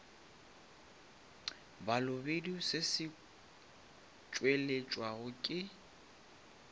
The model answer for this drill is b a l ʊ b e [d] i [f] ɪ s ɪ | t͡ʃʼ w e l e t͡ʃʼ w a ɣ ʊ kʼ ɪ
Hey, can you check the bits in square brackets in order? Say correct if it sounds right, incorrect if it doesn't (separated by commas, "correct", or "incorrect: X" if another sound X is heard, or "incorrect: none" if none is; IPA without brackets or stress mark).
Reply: correct, incorrect: s